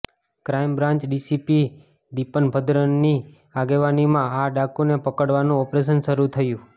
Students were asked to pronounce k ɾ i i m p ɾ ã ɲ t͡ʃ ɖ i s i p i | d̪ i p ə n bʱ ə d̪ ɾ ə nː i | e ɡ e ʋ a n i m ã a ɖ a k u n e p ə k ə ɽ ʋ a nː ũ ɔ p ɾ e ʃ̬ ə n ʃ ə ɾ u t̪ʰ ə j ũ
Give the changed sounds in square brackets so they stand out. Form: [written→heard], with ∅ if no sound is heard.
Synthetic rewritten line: k ɾ [i→a] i m [p→b] ɾ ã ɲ t͡ʃ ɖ i s i p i | d̪ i p ə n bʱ ə d̪ ɾ ə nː i | [e→a] ɡ e ʋ a n i m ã a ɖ a k u n e p ə k ə ɽ ʋ a [nː→n] ũ ɔ p ɾ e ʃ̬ ə n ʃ ə ɾ u t̪ʰ ə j ũ